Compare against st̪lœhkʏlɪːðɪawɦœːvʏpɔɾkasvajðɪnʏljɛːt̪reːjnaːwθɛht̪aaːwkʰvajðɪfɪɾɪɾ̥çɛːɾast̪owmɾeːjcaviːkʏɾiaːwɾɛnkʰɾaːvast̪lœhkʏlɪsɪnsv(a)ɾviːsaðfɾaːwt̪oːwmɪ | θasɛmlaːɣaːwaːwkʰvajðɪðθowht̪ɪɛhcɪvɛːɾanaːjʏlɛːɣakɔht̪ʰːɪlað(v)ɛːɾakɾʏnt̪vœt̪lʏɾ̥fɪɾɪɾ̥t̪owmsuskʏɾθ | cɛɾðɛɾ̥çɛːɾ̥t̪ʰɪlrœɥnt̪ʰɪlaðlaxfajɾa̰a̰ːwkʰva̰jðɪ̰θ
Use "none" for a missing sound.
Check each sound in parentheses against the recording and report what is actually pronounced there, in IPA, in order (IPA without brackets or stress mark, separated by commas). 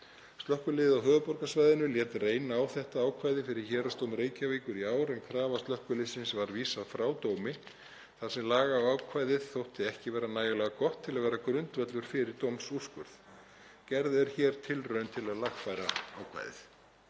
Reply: a, v